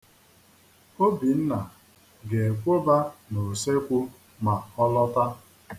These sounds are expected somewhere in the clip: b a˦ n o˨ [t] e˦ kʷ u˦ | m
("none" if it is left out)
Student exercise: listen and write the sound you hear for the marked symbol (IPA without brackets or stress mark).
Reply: s